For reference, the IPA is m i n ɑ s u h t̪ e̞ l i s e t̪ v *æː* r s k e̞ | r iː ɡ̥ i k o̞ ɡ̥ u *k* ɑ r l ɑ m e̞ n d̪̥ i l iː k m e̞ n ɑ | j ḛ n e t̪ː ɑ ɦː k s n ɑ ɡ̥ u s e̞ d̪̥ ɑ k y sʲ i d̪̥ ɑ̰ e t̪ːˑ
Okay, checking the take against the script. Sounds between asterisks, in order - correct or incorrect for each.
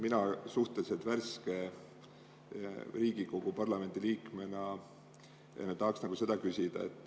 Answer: incorrect, incorrect

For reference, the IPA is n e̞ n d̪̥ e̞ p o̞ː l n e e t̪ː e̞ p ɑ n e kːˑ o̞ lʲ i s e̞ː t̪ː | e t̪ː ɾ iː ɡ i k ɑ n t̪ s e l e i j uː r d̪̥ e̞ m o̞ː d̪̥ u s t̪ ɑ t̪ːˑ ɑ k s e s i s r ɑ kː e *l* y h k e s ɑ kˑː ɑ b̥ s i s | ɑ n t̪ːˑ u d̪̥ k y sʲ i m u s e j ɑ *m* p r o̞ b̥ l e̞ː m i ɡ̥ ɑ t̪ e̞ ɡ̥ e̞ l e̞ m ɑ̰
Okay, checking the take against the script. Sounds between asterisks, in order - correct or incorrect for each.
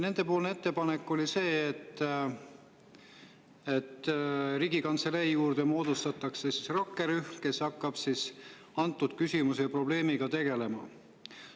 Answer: incorrect, incorrect

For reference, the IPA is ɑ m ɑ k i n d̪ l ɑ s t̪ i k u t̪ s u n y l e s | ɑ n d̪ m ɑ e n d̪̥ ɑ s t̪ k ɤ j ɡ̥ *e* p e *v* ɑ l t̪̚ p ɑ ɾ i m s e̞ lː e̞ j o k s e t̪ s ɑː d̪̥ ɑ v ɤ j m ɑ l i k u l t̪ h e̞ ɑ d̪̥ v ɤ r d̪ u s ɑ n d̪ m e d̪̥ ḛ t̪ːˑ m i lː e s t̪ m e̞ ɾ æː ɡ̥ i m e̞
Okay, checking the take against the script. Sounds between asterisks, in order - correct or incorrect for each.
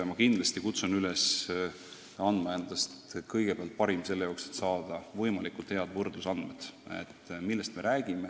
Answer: correct, incorrect

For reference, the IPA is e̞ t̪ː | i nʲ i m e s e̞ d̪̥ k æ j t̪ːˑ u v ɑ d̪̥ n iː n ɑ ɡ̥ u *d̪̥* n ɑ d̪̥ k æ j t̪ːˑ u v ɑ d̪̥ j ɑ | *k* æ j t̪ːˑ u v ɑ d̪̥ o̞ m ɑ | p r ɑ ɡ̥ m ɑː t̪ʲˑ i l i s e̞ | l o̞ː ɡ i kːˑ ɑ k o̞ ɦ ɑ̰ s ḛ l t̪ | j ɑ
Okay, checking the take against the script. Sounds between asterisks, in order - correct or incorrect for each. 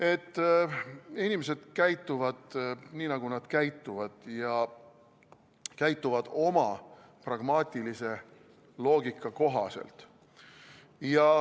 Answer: incorrect, correct

